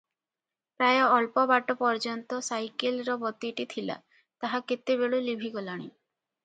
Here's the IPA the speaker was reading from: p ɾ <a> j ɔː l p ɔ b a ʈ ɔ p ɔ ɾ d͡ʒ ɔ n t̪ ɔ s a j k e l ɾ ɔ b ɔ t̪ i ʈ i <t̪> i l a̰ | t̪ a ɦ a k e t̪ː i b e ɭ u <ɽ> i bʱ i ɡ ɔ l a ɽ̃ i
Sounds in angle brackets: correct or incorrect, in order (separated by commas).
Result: correct, incorrect, incorrect